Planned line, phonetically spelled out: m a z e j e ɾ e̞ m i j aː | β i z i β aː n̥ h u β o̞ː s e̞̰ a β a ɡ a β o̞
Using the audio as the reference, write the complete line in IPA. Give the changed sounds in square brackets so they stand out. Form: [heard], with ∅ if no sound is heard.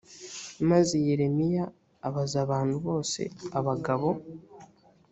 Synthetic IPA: m a z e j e ɾ e̞ m i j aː | β [a] z [a] β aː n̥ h u β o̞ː s e̞̰ a β a ɡ a β o̞